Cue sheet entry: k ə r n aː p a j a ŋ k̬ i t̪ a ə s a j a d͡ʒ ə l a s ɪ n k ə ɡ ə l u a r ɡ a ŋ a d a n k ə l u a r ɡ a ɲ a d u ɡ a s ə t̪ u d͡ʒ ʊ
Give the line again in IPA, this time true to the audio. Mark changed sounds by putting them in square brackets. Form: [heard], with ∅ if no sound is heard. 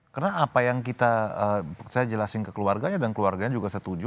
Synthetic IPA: k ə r n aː p a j a ŋ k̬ i t̪ a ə s a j a d͡ʒ ə l a s ɪ n k ə [k] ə l u a r ɡ a [ɲ] a d a n k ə l u a r ɡ a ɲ a [d͡ʒ] u ɡ a s ə t̪ u d͡ʒ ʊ